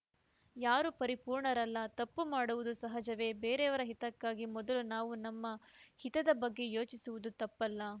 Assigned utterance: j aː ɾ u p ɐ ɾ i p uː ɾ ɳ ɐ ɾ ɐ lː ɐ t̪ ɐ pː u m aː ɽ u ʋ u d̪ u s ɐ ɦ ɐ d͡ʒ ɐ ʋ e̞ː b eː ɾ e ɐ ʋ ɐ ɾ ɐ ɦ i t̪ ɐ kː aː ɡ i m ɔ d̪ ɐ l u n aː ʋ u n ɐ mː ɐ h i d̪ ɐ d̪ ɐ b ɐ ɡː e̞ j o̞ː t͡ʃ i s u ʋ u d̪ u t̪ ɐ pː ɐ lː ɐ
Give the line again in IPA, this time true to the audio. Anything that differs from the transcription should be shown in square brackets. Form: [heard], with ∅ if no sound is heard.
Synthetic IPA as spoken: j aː ɾ u p ɐ ɾ i p uː ɾ ɳ ɐ ɾ ɐ lː ɐ t̪ ɐ pː u m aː ɽ u ʋ u d̪ u s ɐ ɦ ɐ d͡ʒ ɐ ʋ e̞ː b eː ɾ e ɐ ʋ ɐ ɾ ɐ ɦ i t̪ ɐ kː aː ɡ i m ɔ d̪ ɐ l u n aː ʋ u n ɐ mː ɐ h i [t̪] ɐ d̪ ɐ b ɐ ɡː e̞ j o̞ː t͡ʃ i s u ʋ u d̪ u t̪ ɐ pː ɐ lː ɐ